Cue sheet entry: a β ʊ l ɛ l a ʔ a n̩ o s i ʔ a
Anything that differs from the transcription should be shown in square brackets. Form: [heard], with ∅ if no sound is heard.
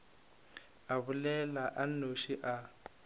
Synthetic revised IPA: a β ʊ l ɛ l a ʔ a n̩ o [ʃ] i ʔ a